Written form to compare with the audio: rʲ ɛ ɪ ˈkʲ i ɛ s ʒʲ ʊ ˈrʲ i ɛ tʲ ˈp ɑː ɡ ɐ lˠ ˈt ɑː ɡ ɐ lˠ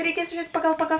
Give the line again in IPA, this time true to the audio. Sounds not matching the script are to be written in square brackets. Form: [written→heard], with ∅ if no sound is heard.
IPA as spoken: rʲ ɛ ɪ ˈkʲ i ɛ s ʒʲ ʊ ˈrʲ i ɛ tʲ ˈp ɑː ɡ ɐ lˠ [ˈt→ˈp] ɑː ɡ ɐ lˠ